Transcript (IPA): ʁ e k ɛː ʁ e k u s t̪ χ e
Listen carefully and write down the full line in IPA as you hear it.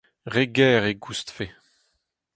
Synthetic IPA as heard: ʁ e ɡ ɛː ʁ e ɡ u s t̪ f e